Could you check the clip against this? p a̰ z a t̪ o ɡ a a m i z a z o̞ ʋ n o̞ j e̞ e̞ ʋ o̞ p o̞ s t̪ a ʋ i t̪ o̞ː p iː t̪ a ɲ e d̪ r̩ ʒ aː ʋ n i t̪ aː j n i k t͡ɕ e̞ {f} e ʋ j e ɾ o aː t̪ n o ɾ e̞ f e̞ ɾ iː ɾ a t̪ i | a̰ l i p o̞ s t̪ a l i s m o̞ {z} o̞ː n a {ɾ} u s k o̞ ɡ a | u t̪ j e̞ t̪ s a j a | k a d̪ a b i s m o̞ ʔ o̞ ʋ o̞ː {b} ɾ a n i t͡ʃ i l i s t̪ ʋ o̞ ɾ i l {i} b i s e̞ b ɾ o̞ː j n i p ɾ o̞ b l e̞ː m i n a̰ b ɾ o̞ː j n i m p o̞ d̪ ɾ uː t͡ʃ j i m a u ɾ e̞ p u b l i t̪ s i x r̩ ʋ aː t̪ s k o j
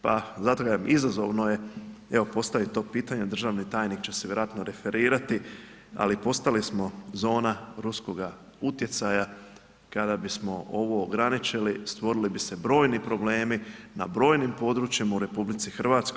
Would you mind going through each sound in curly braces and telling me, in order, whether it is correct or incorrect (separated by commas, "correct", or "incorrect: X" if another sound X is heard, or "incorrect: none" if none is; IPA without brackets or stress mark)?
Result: incorrect: s, correct, correct, incorrect: ɡ, correct